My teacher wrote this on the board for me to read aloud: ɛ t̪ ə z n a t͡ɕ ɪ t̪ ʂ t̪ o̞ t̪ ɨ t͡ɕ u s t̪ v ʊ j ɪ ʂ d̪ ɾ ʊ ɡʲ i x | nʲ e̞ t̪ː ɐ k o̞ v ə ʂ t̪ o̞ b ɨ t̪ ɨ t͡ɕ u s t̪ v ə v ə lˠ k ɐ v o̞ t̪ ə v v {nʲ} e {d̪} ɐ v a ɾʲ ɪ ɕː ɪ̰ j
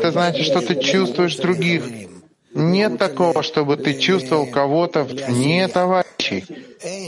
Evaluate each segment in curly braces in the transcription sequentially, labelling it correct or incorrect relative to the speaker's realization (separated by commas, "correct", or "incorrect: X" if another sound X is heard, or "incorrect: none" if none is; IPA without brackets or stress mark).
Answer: correct, incorrect: t̪